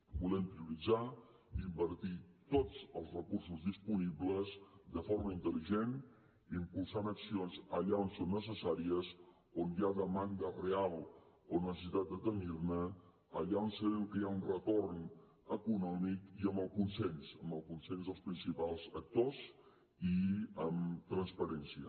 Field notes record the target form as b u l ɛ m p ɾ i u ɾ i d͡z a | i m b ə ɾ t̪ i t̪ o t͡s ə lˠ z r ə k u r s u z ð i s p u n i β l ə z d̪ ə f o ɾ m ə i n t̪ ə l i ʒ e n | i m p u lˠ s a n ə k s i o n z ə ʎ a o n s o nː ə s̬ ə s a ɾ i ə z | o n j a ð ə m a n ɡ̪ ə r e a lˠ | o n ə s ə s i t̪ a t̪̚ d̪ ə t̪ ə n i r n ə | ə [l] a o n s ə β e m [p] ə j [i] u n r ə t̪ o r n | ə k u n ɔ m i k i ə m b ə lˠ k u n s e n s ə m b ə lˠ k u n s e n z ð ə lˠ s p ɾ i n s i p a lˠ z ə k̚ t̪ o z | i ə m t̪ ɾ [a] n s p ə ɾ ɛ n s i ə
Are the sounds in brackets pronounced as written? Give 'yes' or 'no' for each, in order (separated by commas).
no, no, no, no